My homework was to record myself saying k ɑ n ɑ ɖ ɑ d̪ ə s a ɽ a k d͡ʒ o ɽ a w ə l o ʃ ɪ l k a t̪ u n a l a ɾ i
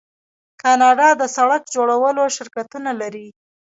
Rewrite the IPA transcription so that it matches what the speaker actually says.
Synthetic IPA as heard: k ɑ n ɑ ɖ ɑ d̪ ə s a ɽ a k d͡ʒ o ɽ a w ə l o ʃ ɪ ɾ k a t̪ u n a l a ɾ i